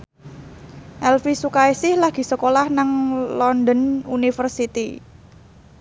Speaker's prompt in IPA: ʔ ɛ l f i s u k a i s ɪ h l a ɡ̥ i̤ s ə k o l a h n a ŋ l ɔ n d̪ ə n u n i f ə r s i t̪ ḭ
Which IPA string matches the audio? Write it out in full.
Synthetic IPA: ʔ ɛ l f i s u k a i s ɪ h l a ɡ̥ i̤ s ə k o l a h n a ŋ l ɔ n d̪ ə n u n i f ə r s i t̪ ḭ